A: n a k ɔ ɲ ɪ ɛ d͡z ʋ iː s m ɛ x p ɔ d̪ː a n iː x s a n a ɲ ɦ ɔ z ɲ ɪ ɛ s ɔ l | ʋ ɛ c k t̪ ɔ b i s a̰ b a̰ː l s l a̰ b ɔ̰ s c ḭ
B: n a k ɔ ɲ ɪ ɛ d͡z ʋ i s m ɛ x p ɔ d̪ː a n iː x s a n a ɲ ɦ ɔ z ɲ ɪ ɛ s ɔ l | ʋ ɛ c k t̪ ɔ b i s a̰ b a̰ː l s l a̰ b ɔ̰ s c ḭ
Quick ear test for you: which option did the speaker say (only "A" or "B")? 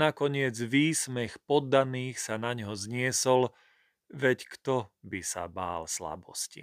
A